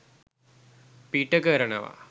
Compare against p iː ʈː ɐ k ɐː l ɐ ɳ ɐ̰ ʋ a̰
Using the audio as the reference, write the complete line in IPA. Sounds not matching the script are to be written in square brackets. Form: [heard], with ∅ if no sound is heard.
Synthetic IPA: p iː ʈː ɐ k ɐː [ɾ] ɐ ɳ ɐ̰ ʋ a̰